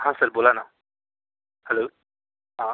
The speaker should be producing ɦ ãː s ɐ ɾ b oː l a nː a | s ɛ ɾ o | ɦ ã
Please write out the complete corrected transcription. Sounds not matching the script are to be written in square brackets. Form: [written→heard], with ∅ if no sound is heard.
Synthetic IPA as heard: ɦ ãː s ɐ ɾ b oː l a [nː→n] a | [s→h] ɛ [ɾ→l] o | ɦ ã